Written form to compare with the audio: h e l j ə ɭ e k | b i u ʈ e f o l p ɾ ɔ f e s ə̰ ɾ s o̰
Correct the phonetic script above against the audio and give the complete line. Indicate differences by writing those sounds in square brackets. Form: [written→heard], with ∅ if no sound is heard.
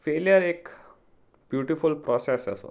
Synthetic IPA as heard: [h→f] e l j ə [ɭ→ɾ] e k | b [i→j] u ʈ [e→i] f [o→u] l p ɾ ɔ [f→s] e s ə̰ [ɾ→∅] s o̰